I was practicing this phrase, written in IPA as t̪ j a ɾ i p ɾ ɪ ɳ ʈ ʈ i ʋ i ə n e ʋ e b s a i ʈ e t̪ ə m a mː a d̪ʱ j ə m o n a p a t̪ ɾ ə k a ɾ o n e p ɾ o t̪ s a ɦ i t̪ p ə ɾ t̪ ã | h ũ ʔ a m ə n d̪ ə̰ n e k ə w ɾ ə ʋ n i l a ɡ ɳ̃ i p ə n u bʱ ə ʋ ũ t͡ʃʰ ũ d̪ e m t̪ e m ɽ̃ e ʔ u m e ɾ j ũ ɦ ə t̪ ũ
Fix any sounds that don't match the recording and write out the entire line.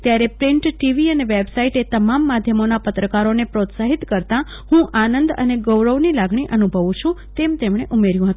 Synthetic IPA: t̪ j a ɾ e p ɾ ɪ ɳ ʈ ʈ i ʋ i ə n e ʋ e b s a i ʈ e t̪ ə m a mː a d̪ʱ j ə m o n a p ə t̪ ɾ ə k a ɾ o n e p ɾ o t̪ s a ɦ i t̪ k ə ɾ t̪ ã | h ũ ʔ a n ə n d̪ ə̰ n e ɡ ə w ɾ ə ʋ n i l a ɡ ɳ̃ i ʔ ə n u bʱ ə ʋ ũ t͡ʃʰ ũ t̪ e m t̪ e m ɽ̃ e ʔ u m e ɾ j ũ ɦ ə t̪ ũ